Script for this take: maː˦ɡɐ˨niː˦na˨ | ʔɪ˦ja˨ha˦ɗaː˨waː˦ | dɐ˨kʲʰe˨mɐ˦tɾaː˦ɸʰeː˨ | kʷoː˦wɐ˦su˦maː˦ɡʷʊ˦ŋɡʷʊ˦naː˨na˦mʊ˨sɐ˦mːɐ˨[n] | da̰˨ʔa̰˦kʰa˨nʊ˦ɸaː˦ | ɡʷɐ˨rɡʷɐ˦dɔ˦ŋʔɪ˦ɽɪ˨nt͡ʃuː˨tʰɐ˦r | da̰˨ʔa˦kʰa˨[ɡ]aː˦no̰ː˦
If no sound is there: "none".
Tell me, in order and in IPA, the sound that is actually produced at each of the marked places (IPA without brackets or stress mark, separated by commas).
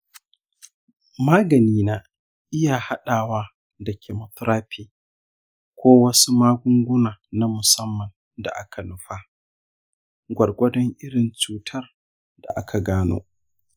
n, ɡ